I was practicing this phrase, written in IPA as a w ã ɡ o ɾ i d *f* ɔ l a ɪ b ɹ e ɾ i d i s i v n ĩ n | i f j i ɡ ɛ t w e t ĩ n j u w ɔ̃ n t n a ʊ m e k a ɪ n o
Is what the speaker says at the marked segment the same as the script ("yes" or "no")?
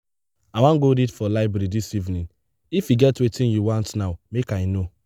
yes